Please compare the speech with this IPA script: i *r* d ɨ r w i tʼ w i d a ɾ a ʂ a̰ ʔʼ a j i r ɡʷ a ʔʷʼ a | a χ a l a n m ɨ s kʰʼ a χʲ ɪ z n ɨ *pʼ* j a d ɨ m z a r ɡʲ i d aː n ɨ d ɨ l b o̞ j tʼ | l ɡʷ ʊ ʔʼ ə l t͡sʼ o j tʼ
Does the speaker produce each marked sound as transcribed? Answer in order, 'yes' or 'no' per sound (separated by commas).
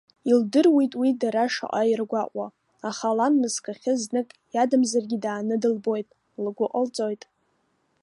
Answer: no, no